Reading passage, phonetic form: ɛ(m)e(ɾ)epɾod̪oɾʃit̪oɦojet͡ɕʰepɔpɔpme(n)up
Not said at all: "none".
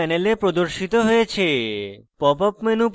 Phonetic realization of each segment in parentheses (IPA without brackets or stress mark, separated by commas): n, l, n